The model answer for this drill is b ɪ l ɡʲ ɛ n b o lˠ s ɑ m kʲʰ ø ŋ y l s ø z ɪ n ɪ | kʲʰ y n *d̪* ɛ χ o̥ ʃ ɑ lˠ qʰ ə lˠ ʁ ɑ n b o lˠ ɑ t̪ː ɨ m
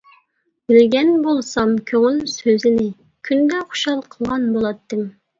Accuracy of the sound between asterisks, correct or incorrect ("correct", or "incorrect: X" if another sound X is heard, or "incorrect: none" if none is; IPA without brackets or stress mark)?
correct